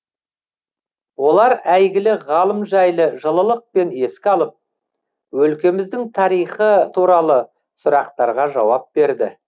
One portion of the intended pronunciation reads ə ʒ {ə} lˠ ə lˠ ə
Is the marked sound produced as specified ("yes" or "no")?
yes